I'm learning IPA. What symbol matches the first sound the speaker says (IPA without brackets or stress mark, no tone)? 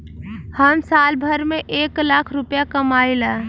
h